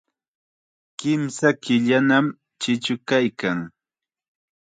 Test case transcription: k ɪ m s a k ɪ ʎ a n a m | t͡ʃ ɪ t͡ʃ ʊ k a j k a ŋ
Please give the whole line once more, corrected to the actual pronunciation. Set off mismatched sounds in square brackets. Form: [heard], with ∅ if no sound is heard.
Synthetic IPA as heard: k ɪ m s a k ɪ ʎ a n a m | t͡ʃ ɪ t͡ʃ ʊ k a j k a ŋ